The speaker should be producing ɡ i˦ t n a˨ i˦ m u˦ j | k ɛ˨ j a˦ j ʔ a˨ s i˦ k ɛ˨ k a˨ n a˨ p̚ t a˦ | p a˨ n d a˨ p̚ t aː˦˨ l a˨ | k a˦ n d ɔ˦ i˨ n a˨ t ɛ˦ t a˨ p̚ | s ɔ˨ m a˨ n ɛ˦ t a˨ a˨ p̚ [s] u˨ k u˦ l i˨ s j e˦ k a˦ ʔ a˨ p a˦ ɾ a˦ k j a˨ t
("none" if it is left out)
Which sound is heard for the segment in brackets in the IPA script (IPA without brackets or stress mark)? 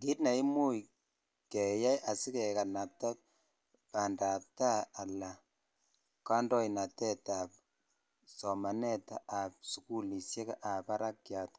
s